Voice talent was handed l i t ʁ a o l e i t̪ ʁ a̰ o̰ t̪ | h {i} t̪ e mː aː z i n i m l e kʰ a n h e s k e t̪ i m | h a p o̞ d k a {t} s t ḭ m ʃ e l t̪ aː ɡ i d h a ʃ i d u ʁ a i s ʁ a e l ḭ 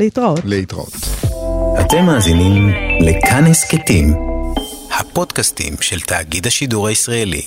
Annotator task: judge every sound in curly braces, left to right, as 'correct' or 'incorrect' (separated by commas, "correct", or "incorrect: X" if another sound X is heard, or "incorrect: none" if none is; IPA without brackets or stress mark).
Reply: incorrect: a, incorrect: none